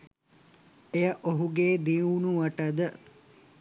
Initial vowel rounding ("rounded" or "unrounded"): unrounded